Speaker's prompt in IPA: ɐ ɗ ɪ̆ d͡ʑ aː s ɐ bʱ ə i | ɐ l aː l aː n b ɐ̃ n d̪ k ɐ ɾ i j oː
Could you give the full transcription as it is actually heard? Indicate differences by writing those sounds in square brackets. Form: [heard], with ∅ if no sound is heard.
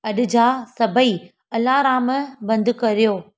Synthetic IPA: ɐ ɗ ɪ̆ d͡ʑ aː s ɐ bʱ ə i | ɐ l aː [ɾ] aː [m] b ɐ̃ n d̪ k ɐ ɾ i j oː